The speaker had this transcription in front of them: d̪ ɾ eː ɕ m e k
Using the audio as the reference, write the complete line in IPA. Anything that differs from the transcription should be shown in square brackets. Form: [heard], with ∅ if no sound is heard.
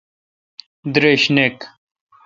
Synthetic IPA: d̪ ɾ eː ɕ [n] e k